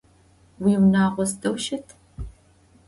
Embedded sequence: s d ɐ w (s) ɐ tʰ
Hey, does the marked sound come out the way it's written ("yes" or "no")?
no